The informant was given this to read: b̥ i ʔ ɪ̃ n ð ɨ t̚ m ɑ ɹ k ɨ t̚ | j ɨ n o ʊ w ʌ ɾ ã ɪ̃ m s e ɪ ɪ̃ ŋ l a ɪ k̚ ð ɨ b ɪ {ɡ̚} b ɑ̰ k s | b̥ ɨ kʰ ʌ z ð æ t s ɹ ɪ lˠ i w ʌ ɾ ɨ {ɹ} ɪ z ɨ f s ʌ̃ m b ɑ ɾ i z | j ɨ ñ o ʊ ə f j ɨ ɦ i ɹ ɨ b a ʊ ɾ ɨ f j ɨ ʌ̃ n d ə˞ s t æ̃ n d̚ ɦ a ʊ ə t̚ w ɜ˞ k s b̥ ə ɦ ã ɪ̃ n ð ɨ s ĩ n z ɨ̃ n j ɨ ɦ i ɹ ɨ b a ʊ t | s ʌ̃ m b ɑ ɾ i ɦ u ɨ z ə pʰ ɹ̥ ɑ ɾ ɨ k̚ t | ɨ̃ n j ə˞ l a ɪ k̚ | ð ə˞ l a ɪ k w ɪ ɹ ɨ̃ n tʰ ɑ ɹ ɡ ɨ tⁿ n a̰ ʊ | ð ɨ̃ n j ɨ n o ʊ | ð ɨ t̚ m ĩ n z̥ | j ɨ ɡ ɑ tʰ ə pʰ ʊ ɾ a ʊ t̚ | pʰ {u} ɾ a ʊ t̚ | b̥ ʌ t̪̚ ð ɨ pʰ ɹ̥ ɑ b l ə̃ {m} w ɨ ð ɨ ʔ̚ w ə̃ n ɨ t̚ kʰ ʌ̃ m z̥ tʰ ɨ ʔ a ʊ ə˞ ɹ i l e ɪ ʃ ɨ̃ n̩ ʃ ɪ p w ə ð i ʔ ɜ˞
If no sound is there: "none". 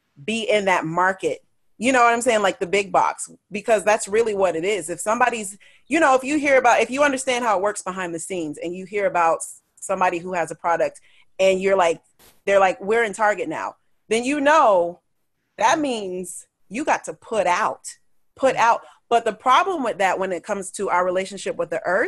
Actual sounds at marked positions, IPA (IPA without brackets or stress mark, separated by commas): ɡ̚, ɾ, ʊ, m